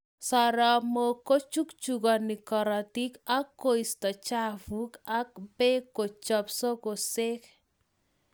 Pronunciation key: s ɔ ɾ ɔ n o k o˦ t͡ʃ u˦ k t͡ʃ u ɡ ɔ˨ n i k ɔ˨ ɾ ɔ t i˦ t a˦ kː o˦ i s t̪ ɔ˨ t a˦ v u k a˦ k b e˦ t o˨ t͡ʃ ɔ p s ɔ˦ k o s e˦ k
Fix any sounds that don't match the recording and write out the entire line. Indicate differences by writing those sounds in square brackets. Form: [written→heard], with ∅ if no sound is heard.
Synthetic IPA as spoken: s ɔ ɾ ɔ [n→m] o k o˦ t͡ʃ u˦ k t͡ʃ u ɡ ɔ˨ n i k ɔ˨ ɾ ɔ t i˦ [t→k] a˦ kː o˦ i s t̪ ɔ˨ [t→t͡ʃ] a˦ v u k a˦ k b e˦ [t→k] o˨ t͡ʃ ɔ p s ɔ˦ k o s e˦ k